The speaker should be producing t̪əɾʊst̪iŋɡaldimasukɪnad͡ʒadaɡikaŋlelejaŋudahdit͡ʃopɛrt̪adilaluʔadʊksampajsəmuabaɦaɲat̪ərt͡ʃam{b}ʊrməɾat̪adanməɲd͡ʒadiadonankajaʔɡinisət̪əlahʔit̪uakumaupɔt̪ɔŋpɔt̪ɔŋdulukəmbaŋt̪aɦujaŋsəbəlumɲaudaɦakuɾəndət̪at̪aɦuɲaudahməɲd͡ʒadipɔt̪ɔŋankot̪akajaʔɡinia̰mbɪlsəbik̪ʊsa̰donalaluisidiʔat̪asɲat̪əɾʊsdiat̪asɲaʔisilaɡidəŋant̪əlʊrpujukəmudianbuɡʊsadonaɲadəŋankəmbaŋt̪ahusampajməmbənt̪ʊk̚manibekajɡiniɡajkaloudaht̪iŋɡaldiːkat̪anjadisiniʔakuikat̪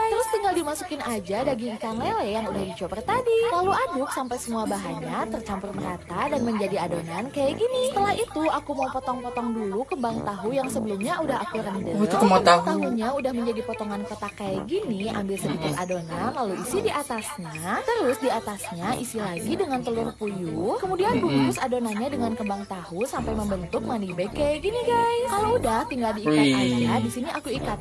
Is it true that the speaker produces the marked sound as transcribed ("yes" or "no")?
no